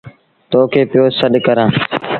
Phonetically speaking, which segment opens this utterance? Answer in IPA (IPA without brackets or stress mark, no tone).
t̪